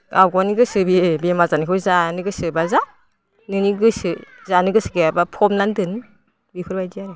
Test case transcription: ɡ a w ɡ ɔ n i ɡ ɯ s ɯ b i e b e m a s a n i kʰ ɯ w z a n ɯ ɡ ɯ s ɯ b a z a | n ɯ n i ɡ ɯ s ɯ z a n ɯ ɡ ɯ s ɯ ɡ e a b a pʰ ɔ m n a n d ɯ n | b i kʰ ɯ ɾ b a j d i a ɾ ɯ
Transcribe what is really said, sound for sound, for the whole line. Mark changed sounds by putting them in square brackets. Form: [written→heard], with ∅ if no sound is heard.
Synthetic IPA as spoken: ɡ a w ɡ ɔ n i ɡ ɯ s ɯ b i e b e m a [s→z] a n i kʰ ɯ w z a n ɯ ɡ ɯ s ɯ b a z a | n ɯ n i ɡ ɯ s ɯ z a n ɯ ɡ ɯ s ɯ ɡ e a b a pʰ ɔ m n a n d ɯ n | b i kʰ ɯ ɾ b a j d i a ɾ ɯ